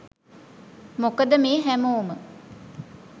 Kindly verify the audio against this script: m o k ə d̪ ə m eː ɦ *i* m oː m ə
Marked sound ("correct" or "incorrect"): incorrect